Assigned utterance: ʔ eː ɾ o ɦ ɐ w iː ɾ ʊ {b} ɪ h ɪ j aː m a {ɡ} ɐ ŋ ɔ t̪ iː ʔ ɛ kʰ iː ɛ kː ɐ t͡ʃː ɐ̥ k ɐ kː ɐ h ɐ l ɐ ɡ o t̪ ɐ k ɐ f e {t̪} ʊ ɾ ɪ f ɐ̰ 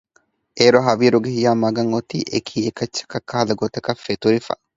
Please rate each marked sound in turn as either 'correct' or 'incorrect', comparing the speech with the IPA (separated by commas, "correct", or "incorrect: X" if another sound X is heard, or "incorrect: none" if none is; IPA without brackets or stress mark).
incorrect: ɡ, correct, correct